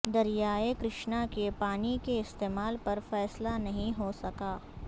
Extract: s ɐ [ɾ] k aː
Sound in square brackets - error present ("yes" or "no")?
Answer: yes